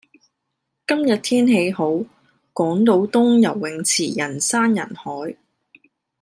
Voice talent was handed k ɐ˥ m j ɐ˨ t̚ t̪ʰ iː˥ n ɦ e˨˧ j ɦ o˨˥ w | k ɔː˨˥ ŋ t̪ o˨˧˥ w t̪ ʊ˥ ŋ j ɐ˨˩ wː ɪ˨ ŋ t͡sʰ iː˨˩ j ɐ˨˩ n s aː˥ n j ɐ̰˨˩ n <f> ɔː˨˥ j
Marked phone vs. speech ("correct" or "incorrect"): incorrect